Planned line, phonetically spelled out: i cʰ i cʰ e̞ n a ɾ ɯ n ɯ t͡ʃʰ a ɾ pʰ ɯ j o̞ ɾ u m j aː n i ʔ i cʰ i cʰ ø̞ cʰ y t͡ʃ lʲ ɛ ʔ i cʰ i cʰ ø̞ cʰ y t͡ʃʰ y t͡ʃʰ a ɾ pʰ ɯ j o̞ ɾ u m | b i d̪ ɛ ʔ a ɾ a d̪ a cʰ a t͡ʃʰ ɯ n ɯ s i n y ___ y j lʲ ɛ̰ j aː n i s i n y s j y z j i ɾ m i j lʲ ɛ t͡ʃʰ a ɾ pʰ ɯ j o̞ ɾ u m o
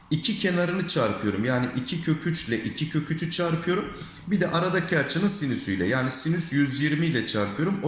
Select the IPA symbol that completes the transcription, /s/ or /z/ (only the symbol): s